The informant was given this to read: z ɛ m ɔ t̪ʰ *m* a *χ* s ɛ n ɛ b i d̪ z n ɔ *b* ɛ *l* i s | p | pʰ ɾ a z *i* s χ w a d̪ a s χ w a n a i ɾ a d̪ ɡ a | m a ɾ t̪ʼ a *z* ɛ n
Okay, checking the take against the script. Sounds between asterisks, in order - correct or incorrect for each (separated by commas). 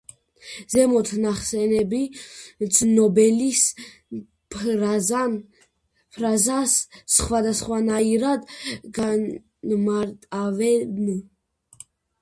incorrect, correct, correct, correct, incorrect, incorrect